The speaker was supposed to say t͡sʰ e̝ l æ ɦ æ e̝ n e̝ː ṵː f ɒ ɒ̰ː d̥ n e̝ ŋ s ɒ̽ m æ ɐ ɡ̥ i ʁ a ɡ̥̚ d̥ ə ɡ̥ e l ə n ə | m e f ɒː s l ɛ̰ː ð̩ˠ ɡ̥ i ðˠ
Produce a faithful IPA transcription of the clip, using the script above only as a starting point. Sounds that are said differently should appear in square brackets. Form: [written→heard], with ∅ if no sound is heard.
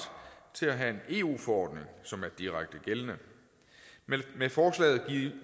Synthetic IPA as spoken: t͡sʰ e̝ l æ ɦ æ e̝ n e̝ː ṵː f ɒ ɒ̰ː d̥ n e̝ ŋ s ɒ̽ m æ ɐ [ɡ̥→d̥] i ʁ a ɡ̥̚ d̥ ə ɡ̥ e l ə n ə | m e f ɒː s l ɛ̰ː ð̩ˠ ɡ̥ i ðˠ